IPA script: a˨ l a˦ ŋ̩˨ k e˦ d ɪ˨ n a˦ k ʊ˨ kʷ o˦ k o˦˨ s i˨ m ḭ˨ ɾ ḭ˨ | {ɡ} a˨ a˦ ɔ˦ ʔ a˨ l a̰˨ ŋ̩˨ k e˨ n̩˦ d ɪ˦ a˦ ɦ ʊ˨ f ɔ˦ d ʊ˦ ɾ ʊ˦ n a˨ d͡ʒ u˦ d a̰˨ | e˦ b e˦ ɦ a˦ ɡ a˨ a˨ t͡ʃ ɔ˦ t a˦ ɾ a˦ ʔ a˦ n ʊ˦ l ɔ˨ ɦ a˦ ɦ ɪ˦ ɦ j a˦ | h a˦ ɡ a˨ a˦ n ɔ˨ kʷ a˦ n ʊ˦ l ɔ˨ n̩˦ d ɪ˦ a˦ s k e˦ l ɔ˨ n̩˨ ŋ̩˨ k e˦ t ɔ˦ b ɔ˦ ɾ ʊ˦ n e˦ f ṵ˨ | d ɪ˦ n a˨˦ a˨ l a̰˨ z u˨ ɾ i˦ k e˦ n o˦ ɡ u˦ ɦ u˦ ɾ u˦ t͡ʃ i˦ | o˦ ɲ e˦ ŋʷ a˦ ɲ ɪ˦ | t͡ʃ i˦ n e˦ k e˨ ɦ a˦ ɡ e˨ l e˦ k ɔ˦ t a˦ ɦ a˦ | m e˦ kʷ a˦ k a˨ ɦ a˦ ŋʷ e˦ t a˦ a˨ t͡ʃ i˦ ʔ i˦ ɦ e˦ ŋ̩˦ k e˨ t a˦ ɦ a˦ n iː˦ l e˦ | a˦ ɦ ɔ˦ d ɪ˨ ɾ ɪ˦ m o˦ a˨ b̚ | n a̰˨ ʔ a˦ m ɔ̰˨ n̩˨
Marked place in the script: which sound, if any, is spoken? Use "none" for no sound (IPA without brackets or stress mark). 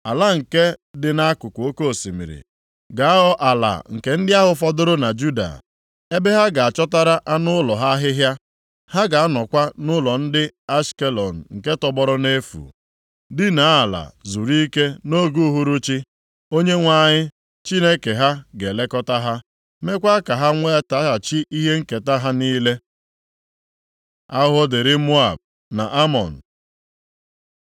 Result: ɡ